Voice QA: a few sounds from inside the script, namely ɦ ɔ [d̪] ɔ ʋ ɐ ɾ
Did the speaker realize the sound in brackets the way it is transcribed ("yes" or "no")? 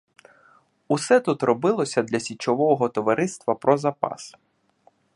no